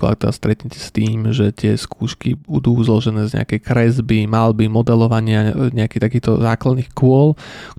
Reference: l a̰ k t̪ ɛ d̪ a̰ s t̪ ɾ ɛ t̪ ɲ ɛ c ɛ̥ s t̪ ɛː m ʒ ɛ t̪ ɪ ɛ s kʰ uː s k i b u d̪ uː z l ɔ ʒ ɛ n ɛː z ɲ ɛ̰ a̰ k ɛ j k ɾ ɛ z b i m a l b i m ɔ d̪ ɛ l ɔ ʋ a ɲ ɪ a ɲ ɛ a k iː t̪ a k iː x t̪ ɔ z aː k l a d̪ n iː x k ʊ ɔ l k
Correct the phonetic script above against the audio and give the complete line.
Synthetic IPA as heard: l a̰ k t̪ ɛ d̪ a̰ s t̪ ɾ ɛ t̪ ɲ ɛ c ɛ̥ s t̪ iː m ʒ ɛ t̪ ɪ ɛ s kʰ uː ʃ k i b u d̪ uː z l ɔ ʒ ɛ n ɛː z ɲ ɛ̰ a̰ k ɛ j k ɾ ɛ z b i m a l b i m ɔ d̪ ɛ l ɔ ʋ a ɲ ɪ a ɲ ɛ a k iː t̪ a k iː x t̪ ɔ z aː k l a d̪ n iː x k ʊ ɔ l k